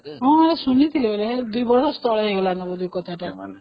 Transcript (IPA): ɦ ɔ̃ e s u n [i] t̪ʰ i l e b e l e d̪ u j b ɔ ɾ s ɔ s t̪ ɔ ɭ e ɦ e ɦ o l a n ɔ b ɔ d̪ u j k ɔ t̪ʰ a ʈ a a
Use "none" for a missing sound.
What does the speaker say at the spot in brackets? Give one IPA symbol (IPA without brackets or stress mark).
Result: i